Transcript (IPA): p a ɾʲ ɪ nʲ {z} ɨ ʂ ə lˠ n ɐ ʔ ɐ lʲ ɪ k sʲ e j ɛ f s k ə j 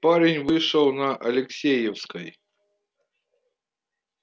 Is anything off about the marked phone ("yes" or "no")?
yes